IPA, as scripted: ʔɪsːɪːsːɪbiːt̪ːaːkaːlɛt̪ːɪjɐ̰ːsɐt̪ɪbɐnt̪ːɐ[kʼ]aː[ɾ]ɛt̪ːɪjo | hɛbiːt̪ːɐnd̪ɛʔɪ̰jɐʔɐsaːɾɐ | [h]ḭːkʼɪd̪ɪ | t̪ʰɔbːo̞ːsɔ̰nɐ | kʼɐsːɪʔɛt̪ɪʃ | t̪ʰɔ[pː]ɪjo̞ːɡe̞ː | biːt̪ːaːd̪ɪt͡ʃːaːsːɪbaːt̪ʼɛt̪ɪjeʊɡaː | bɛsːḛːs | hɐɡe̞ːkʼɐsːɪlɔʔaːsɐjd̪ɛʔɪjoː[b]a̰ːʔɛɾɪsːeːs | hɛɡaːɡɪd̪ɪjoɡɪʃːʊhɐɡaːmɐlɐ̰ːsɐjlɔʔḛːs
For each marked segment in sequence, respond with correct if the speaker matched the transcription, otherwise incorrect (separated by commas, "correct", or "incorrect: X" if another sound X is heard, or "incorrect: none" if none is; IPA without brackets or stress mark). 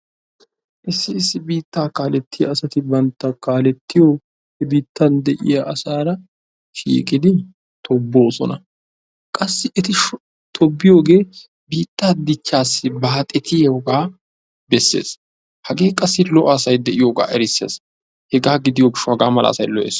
incorrect: k, incorrect: l, incorrect: ʃ, incorrect: bː, incorrect: ɡ